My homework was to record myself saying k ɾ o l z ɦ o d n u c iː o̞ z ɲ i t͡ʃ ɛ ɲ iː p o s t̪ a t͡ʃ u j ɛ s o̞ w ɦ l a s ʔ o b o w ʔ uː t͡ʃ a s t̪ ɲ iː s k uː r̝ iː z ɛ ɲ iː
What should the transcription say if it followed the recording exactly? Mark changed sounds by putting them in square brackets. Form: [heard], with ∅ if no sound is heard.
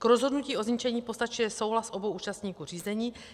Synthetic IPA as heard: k ɾ o [∅] z ɦ o d n u c iː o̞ z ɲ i t͡ʃ ɛ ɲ iː p o s t̪ a t͡ʃ u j ɛ s o̞ w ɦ l a s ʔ o b o w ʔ uː t͡ʃ a s t̪ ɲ iː [∅] k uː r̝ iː z ɛ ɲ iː